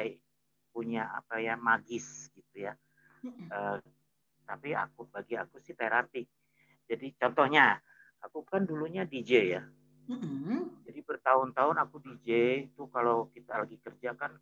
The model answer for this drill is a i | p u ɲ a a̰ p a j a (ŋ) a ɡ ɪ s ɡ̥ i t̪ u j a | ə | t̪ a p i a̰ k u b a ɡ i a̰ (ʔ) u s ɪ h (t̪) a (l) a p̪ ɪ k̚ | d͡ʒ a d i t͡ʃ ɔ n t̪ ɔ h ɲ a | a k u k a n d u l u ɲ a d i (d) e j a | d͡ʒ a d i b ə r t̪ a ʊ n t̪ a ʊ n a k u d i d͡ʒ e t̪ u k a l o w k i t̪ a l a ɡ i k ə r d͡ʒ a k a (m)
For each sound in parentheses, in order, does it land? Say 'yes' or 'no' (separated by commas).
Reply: no, no, yes, no, no, no